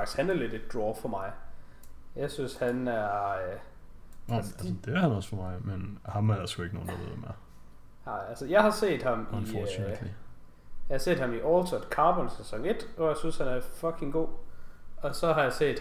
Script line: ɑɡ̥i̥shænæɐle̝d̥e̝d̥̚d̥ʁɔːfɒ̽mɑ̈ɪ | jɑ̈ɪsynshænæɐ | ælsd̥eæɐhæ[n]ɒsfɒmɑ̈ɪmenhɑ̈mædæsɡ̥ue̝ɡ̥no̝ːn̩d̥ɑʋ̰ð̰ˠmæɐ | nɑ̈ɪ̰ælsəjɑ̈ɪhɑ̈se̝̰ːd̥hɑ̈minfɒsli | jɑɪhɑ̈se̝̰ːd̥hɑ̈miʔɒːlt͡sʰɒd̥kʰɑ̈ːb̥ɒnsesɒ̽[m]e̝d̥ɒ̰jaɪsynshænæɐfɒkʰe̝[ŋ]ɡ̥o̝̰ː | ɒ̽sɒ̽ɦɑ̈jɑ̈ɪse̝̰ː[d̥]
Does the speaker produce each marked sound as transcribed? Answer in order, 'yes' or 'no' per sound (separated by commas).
yes, no, yes, yes